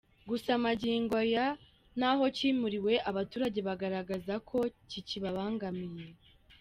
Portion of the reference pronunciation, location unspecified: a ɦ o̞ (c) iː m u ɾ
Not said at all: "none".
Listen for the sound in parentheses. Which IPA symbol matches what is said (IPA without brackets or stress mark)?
c